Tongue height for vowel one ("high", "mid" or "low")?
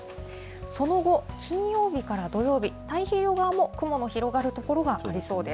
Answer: mid